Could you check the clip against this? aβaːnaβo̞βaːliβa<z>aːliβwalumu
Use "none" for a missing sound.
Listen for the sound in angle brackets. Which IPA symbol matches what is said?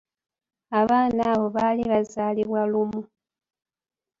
z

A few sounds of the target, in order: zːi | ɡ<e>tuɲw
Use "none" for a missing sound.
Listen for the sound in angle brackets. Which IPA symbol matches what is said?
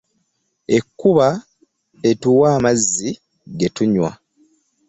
e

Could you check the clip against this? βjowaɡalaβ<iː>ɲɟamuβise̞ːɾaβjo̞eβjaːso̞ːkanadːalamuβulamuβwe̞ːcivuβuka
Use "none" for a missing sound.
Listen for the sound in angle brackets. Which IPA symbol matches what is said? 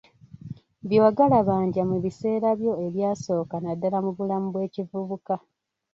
aː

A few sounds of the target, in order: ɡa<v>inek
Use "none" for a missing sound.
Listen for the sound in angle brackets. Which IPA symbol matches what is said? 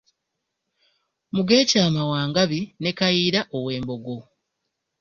β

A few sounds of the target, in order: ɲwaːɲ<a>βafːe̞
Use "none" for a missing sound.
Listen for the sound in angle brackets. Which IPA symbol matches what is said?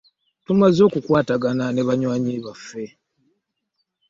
i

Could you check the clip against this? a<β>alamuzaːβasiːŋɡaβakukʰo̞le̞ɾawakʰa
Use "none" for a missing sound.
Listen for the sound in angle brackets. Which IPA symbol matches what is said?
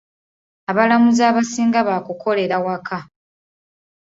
β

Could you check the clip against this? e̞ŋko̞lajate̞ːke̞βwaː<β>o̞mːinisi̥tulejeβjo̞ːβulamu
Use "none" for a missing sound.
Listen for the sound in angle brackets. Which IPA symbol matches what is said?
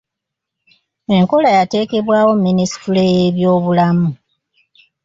w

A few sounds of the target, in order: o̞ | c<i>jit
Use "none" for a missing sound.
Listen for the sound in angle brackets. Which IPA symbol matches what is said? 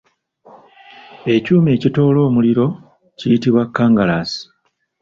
i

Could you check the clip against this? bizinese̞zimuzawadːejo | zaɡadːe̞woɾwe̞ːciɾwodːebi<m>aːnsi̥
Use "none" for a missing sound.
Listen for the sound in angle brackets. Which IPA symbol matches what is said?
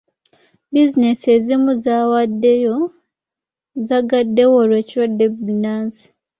n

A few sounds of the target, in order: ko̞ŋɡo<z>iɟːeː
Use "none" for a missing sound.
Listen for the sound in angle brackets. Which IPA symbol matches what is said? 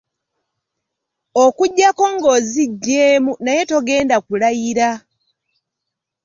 z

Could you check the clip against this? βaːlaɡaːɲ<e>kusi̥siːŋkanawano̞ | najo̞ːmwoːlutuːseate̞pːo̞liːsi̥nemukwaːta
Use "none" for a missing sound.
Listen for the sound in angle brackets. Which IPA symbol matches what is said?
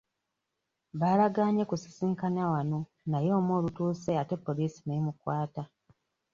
e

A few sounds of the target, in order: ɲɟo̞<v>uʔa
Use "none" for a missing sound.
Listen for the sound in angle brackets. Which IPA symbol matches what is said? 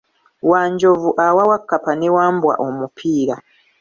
v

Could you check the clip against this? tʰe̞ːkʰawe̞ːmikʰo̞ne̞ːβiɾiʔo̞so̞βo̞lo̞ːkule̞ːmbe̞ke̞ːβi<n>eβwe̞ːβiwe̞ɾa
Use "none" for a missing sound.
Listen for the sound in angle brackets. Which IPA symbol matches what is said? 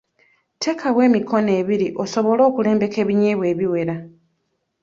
ɲ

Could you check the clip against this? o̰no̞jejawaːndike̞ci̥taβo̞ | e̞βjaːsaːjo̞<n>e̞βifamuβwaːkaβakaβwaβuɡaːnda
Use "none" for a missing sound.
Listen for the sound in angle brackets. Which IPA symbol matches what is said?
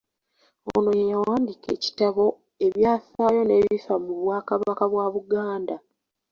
n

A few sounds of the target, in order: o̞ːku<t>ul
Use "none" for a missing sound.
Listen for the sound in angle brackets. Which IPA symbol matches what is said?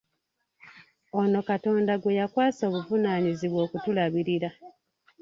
t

